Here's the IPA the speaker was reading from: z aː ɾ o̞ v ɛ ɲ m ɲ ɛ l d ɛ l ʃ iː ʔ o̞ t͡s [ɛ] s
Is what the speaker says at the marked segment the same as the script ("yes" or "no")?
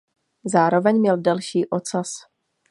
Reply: no